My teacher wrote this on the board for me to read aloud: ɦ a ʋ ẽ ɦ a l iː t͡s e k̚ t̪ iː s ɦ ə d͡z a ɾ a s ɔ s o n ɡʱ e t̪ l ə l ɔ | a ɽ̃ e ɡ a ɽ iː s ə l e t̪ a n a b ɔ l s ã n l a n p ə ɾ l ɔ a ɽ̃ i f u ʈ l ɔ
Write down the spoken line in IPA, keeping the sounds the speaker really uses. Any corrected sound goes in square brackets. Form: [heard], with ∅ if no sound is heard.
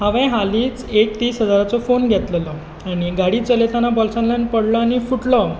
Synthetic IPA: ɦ a ʋ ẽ ɦ a l iː t͡s e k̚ t̪ iː s ɦ ə d͡z a ɾ a [t͡s] ɔ [f] o n ɡʱ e t̪ l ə l ɔ | a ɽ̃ [i] ɡ a ɽ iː [t͡s] ə l e t̪ a n a b ɔ l s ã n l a n p ə [ɽ] l ɔ a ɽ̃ i f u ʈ l ɔ